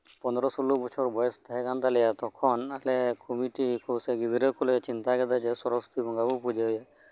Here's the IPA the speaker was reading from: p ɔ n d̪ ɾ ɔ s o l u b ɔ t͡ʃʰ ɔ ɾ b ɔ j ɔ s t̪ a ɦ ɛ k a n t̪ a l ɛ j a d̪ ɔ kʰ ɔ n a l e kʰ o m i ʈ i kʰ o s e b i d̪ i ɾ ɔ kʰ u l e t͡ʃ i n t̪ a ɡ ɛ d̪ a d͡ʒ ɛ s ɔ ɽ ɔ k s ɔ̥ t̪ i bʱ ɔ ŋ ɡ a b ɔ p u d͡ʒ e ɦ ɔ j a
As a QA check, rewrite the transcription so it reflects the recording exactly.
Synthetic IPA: p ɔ n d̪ ɾ ɔ s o l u b ɔ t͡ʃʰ ɔ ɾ b ɔ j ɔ s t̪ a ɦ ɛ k a n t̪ a l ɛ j a t̪ ɔ kʰ ɔ n a l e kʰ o m i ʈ i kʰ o s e ɡ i d̪ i ɾ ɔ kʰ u l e t͡ʃ i n t̪ a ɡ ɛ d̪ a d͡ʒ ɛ s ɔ ɾ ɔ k s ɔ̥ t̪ i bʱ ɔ ŋ ɡ a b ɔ p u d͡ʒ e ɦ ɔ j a